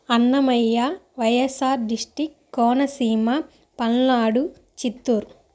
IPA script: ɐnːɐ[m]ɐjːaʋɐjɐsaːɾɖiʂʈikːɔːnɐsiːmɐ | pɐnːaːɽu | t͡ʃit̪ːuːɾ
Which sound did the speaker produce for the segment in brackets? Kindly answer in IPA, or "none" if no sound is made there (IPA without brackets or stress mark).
m